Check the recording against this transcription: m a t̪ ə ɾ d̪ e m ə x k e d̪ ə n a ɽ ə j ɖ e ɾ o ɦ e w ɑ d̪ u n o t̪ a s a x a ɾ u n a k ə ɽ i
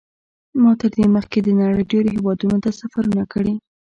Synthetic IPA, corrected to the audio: m ɑ t̪ ə ɾ d̪ e m ə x k e d̪ ə n a ɽ ə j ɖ e ɾ o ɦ e w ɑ d̪ u n o t̪ a s a f a ɾ u n a k ə ɽ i

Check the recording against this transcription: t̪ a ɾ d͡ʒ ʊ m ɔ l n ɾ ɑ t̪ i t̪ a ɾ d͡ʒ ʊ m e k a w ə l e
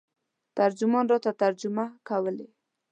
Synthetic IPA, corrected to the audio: t̪ a ɾ d͡ʒ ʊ m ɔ n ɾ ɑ t̪ a t̪ a ɾ d͡ʒ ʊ m a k a w ə l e

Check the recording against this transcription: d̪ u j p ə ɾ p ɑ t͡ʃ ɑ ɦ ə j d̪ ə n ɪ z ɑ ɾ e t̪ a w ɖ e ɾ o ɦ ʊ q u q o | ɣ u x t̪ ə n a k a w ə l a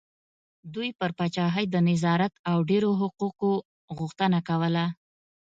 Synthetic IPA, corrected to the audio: d̪ u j p ə ɾ p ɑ t͡ʃ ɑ ɦ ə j d̪ ə n ɪ z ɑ ɾ a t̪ a w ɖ e ɾ o ɦ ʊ q u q o | ɣ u x t̪ ə n a k a w ə l a

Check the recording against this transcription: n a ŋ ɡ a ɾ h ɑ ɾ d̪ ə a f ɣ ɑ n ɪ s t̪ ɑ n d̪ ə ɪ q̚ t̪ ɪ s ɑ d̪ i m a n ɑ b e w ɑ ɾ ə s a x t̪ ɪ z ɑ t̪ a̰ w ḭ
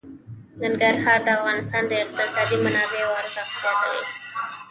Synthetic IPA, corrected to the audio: n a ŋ ɡ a ɾ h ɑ ɾ d̪ ə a f ɣ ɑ n ɪ s t̪ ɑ n d̪ ə ɪ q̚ t̪ ɪ s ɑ d̪ i m a n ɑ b e w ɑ ɾ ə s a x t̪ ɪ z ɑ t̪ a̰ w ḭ

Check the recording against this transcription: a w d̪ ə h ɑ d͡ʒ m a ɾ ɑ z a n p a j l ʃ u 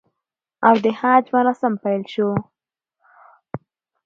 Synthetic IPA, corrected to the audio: a w d̪ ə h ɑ d͡ʒ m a ɾ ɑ s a m p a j l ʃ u

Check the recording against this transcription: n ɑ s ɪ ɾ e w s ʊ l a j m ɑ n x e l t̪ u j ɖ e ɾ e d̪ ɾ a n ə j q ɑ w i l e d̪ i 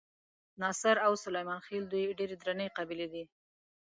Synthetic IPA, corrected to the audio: n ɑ s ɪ ɾ a w s ʊ l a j m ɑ n x e l d̪ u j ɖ e ɾ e d̪ ɾ a n ə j q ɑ b i l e d̪ i

